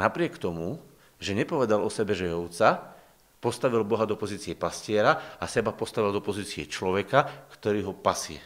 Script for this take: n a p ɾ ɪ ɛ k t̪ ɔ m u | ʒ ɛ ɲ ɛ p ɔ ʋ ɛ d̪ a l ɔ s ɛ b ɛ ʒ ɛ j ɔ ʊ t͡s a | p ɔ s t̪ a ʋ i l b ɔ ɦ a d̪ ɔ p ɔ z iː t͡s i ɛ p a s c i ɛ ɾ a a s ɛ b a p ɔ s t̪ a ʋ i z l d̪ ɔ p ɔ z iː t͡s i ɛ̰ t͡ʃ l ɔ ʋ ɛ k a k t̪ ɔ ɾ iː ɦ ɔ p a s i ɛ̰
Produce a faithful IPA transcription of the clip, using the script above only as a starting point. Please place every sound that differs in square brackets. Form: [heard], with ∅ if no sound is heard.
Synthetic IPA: n a p ɾ ɪ ɛ k t̪ ɔ m u | ʒ ɛ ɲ ɛ p ɔ ʋ ɛ d̪ a l ɔ s ɛ b ɛ ʒ ɛ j ɔ ʊ t͡s a | p ɔ s t̪ a ʋ i l b ɔ ɦ a d̪ ɔ p ɔ z iː t͡s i ɛ p a s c [ɪ] ɛ ɾ a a s ɛ b a p ɔ s t̪ a ʋ i [∅] l d̪ ɔ p ɔ z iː t͡s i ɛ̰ t͡ʃ l ɔ ʋ ɛ k a k t̪ ɔ ɾ iː ɦ ɔ p a s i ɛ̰